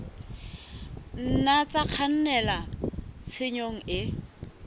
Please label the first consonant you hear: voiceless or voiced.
voiced